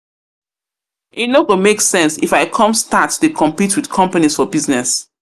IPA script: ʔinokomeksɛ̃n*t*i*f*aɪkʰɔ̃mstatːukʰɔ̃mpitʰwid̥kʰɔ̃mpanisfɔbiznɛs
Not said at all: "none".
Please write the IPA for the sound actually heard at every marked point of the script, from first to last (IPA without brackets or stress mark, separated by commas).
s, f